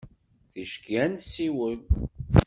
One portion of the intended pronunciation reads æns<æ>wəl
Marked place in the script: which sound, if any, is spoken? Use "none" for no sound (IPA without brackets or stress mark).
i